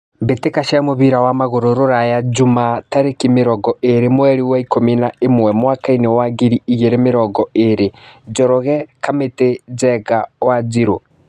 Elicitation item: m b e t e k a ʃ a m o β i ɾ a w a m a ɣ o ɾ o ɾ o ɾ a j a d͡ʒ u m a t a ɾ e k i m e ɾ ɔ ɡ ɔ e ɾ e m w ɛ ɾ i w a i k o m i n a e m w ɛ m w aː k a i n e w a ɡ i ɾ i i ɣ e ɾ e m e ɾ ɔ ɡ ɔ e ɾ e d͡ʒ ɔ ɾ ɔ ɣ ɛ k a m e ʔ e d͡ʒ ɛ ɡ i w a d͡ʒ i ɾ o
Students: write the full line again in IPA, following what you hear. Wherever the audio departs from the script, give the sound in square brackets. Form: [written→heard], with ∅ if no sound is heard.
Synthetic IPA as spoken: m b e t e k a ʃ a m o β i ɾ a w a m a ɣ o ɾ o ɾ o ɾ a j a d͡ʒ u m a t a ɾ e k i m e ɾ ɔ ɡ ɔ e ɾ e m w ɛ ɾ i w a i k o m i n a e m w ɛ m w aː k a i n e w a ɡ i ɾ i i ɣ e ɾ e m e ɾ ɔ ɡ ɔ e ɾ e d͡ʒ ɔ ɾ ɔ ɣ ɛ k a m e [ʔ→t] e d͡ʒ ɛ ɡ [i→a] w a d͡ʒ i ɾ o